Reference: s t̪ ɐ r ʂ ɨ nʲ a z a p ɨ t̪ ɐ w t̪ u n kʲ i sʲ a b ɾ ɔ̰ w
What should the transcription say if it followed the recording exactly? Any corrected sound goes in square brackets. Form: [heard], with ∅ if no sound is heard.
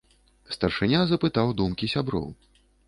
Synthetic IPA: s t̪ ɐ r ʂ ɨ nʲ a z [ɐ] p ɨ t̪ [a] w [d̪] u [m] kʲ i sʲ a b ɾ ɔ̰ w

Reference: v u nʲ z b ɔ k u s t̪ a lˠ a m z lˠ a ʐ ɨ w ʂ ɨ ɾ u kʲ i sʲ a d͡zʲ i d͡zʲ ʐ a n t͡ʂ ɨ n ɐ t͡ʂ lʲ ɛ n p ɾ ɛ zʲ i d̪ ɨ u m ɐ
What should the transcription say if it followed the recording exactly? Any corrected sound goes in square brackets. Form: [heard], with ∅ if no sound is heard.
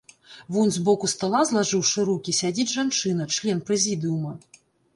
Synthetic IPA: v u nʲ z b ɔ k u s t̪ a lˠ a [∅] z lˠ a ʐ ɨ w ʂ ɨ ɾ u kʲ i sʲ a d͡zʲ i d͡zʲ ʐ a n t͡ʂ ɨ n ɐ t͡ʂ lʲ ɛ n p ɾ ɛ zʲ i d̪ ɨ u m ɐ

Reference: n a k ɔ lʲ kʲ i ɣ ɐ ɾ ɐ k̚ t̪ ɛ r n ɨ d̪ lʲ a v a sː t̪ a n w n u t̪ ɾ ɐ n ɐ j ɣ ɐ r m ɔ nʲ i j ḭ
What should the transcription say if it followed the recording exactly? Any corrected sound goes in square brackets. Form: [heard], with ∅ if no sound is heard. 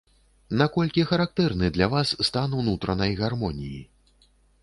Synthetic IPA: n a k ɔ lʲ kʲ i [x] ɐ ɾ [a] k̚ t̪ ɛ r n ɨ d̪ lʲ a v a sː t̪ a n w n u t̪ ɾ ɐ n ɐ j ɣ [a] r m ɔ nʲ i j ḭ

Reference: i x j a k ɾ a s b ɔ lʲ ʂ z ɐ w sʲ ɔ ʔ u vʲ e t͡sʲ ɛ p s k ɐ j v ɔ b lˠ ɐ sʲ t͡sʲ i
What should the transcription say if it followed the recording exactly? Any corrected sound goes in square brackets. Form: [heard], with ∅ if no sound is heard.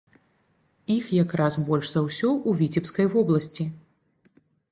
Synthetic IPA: i x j a k ɾ a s b ɔ lʲ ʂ z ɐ w sʲ ɔ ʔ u vʲ [i] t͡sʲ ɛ p s k ɐ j v ɔ b lˠ ɐ sʲ t͡sʲ i

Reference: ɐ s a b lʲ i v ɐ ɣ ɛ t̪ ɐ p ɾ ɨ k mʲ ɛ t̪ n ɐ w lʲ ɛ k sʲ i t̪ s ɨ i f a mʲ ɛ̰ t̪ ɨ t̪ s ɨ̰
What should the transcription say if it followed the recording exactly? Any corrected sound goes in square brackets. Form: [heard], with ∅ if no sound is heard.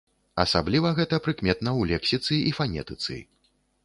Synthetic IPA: ɐ s a b lʲ i v ɐ ɣ ɛ t̪ ɐ p ɾ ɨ k mʲ ɛ t̪ n ɐ w lʲ ɛ k sʲ i t̪ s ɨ i f a [nʲ] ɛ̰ t̪ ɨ t̪ s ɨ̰

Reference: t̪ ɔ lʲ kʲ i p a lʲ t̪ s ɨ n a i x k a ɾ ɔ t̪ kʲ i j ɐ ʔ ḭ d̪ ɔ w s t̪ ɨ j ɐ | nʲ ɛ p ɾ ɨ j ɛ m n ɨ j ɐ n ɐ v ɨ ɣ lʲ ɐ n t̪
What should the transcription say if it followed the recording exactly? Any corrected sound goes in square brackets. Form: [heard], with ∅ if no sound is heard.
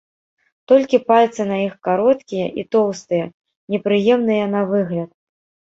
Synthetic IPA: t̪ ɔ lʲ kʲ i p a lʲ t̪ s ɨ n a i x k a ɾ ɔ t̪ kʲ i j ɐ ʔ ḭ [t̪] ɔ w s t̪ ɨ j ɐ | nʲ ɛ p ɾ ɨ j ɛ m n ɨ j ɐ n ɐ v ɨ ɣ lʲ ɐ [∅] t̪

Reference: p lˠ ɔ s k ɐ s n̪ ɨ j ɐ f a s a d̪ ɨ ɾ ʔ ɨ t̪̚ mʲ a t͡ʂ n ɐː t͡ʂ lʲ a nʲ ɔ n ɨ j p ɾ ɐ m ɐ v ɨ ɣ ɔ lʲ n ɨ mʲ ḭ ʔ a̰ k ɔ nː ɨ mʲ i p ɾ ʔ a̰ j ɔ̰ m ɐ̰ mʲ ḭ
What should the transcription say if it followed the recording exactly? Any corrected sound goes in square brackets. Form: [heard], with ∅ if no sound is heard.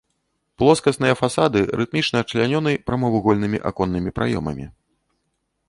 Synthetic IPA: p lˠ ɔ s k ɐ s n̪ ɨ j ɐ f a s a d̪ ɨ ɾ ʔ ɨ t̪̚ mʲ [i] t͡ʂ n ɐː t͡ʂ lʲ a nʲ ɔ n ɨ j p ɾ ɐ m ɐ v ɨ ɣ ɔ lʲ n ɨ mʲ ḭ ʔ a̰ k ɔ nː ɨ mʲ i p ɾ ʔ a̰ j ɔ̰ m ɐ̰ mʲ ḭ

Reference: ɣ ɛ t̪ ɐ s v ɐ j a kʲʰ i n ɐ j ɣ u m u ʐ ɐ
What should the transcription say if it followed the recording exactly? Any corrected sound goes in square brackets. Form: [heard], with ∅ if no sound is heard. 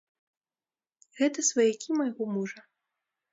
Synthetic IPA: ɣ ɛ t̪ ɐ s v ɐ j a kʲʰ i [m] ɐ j ɣ [ɔ] m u ʐ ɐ

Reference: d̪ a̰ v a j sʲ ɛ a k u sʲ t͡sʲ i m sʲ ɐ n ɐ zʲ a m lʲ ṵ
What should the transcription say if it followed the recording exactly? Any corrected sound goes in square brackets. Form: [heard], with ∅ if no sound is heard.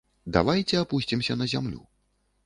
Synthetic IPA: d̪ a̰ v a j [t͡sʲ] ɛ a [p] u sʲ t͡sʲ i m sʲ ɐ n ɐ zʲ a m lʲ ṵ

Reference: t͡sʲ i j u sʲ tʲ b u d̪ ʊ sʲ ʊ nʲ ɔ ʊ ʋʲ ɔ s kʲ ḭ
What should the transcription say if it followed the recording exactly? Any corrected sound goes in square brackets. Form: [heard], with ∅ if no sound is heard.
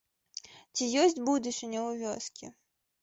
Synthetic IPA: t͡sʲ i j [ɔ] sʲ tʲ b u d̪ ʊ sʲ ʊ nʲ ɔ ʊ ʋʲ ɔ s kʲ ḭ

